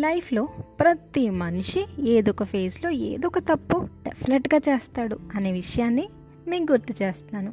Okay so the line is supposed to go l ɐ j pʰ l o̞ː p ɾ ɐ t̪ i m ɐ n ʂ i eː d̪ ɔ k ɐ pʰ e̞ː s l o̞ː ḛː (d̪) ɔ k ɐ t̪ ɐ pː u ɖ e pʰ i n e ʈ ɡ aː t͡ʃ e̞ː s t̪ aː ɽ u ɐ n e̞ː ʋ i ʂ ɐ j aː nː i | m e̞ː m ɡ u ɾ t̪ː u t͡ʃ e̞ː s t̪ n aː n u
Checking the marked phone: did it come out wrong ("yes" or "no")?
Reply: no